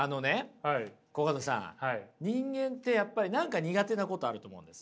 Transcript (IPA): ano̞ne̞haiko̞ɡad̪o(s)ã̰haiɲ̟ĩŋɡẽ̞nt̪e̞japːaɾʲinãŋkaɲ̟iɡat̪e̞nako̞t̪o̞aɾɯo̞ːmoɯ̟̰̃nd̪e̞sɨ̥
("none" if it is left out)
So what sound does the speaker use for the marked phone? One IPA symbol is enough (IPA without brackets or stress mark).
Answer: s